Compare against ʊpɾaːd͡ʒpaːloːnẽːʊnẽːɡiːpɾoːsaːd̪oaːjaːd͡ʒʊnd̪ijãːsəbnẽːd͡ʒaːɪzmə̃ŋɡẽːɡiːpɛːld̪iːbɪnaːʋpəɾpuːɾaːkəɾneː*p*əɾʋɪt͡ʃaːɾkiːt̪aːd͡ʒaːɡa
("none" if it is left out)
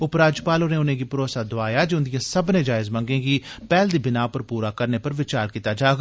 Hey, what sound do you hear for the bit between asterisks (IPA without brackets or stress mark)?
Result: p